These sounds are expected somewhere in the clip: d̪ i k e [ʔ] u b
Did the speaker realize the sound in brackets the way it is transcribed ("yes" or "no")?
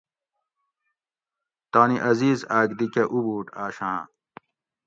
yes